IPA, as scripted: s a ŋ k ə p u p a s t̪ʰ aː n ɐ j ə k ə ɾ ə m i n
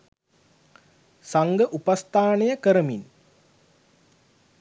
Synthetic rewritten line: s a ŋ ɡ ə ʔ u p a s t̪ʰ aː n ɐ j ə k ə ɾ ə m i n

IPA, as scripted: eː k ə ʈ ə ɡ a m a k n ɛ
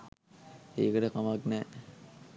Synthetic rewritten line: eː k ə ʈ ə k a m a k n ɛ

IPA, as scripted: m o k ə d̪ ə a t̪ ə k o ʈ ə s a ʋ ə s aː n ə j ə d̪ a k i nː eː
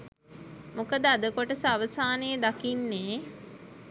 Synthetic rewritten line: m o k ə d̪ ə a d̪ ə k o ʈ ə s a ʋ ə s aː n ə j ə d̪ a k i nː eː

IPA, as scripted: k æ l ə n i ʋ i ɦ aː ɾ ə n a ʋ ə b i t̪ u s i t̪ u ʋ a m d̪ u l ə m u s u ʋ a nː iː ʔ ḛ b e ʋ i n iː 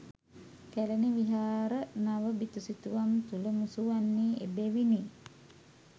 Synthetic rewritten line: k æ l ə n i ʋ i ɦ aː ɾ ə n a ʋ ə b i t̪ u s i t̪ u ʋ a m t̪ u l ə m u s u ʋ a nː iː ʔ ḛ b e ʋ i n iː

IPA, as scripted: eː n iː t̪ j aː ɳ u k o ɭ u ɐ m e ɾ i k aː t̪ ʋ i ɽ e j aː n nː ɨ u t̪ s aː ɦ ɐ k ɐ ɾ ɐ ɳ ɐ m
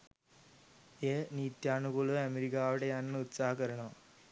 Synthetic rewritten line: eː n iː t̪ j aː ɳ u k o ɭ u ɐ m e ɾ i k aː ʋ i ɽ e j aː n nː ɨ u t̪ s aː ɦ ɐ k ɐ ɾ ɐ ɳ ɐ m

